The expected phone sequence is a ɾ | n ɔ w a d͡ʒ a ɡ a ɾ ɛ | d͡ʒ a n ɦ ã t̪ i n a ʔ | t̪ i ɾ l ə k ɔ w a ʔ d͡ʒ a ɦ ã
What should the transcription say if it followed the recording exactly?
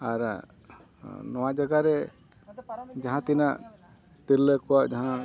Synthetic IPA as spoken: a ɾ | n ɔ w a d͡ʒ a ɡ a ɾ ɛ | d͡ʒ a ɦ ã t̪ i n a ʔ | t̪ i ɾ l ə k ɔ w a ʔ d͡ʒ a ɦ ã